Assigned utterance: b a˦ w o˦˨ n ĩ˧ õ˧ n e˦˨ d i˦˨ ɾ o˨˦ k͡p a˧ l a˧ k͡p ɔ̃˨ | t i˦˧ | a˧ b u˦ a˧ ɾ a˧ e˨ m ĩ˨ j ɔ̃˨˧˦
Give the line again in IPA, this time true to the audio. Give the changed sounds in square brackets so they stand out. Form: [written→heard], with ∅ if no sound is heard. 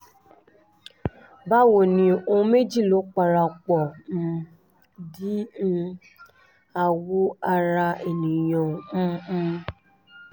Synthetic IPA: b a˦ w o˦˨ n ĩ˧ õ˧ [n→m] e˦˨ [d→d͡ʒ] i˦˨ [ɾ→l] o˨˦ k͡p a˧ [l→ɾ] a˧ k͡p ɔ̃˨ | [t→d] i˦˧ | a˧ [b→w] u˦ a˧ ɾ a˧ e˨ [m→n] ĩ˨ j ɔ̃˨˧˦

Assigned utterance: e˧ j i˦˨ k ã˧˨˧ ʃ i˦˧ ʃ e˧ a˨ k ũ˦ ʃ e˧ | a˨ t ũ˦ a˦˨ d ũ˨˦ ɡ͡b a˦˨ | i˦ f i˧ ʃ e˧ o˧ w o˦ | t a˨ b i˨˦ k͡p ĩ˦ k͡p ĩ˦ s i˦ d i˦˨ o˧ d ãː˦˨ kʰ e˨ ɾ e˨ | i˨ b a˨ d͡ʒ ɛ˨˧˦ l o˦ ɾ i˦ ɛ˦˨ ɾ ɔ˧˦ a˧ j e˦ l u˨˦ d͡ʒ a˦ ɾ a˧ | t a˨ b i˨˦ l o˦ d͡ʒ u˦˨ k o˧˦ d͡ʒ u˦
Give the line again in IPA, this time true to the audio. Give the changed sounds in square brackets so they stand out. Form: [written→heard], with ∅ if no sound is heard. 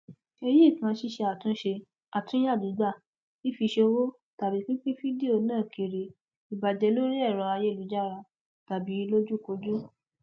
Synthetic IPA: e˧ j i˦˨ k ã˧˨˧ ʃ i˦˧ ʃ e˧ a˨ [k→t] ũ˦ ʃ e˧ | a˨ t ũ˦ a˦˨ d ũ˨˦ ɡ͡b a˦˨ | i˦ f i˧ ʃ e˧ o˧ w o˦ | t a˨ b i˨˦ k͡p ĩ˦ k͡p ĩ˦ [s→f] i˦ d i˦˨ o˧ [d→n] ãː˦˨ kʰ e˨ ɾ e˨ | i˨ b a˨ d͡ʒ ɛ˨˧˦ l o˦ ɾ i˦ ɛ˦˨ ɾ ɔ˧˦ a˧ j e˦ l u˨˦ d͡ʒ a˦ ɾ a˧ | t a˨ b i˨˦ l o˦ d͡ʒ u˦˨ k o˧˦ d͡ʒ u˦

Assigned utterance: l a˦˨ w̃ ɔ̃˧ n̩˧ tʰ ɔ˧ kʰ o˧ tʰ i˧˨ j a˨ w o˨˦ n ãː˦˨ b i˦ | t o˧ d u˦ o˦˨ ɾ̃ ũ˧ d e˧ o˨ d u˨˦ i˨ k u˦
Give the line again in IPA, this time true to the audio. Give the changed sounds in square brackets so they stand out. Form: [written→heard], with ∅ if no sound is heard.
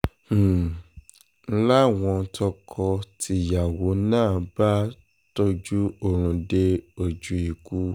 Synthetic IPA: l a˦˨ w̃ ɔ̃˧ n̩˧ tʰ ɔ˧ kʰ [o˧→ɔ˧] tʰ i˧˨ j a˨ w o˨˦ n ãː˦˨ b [i˦→a˦] | t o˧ [d→d͡ʒ] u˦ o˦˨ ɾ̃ ũ˧ d e˧ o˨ [d→d͡ʒ] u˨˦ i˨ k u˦

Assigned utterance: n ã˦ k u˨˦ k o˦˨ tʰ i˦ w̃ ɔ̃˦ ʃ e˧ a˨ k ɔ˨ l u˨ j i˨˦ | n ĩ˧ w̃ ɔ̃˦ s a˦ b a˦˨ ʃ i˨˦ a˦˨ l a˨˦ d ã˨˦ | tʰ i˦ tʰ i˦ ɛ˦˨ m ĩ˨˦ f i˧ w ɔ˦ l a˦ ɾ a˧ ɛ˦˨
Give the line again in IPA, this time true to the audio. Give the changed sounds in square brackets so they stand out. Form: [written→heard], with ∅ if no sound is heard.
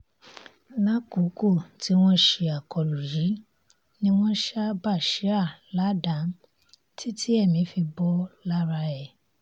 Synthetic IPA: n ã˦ k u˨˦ k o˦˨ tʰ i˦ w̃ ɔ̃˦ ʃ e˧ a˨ k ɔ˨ l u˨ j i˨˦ | n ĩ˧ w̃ ɔ̃˦ [s→ʃ] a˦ b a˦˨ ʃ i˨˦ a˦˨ l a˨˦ d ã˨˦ | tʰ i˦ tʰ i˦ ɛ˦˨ m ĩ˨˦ f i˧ [w→b] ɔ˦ l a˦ ɾ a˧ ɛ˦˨

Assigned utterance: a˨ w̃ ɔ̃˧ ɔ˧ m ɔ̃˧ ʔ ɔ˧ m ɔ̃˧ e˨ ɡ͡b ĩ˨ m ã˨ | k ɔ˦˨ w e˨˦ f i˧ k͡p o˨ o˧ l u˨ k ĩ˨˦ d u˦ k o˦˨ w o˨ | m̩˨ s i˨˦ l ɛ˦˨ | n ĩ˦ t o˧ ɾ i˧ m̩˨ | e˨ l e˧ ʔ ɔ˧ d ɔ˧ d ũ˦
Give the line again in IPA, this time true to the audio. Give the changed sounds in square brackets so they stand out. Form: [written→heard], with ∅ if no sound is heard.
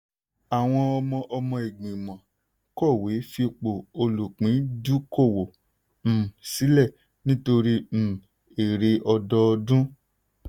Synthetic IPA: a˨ w̃ ɔ̃˧ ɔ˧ m ɔ̃˧ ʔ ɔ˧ m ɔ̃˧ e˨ ɡ͡b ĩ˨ m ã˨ | k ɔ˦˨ w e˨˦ f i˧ k͡p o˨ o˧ l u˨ [k→k͡p] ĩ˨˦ d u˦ k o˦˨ w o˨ | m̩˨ s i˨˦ l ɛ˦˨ | n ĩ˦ t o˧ ɾ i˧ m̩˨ | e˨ [l→ɾ] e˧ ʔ ɔ˧ d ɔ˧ d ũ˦

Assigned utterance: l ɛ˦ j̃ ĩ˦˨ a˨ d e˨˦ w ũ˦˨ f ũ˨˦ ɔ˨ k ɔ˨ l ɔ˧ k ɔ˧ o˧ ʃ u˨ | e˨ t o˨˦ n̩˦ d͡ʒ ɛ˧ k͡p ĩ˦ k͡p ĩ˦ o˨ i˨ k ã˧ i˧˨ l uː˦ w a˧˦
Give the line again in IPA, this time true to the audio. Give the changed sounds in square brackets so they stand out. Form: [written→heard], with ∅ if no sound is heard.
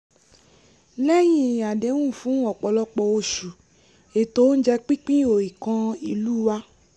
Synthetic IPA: l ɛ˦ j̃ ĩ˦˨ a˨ d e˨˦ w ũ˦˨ f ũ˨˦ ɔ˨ [k→k͡p] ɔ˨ l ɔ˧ [k→k͡p] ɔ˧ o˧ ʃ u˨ | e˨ t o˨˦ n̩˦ d͡ʒ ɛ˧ k͡p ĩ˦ k͡p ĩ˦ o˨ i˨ k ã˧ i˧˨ l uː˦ w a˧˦

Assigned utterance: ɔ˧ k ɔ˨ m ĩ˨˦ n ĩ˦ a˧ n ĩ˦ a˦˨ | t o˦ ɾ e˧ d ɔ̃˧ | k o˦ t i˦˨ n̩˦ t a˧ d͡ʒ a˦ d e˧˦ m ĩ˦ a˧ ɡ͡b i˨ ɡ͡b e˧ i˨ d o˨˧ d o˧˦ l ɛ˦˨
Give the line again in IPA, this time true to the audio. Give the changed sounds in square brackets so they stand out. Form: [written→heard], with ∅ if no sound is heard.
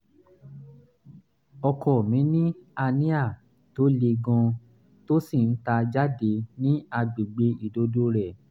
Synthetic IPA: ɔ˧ k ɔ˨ m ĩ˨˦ n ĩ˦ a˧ n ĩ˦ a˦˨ | t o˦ [ɾ→l] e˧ [d→ɡ] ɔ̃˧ | [k→t] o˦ [t→s] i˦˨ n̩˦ t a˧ d͡ʒ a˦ d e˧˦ [m→n] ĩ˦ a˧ ɡ͡b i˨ ɡ͡b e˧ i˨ d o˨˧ d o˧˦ [l→ɾ] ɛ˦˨

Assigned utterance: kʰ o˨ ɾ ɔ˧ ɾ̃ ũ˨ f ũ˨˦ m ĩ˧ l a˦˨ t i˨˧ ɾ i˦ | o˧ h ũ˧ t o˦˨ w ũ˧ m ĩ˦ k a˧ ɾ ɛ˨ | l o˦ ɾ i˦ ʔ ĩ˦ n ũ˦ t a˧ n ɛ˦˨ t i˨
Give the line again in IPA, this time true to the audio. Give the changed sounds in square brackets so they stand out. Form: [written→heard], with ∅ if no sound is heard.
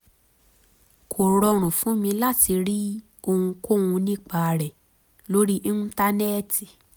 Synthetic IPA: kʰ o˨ ɾ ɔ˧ ɾ̃ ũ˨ f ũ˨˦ m ĩ˧ l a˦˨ t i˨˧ ɾ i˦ | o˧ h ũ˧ [t→k] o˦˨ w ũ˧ [m→n] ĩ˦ [k→k͡p] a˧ ɾ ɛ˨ | l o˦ ɾ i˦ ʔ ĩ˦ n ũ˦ t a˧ n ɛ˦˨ t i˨

